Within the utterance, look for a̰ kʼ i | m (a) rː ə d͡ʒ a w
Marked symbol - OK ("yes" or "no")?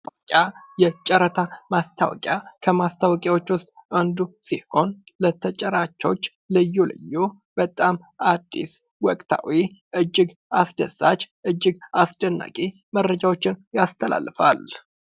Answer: no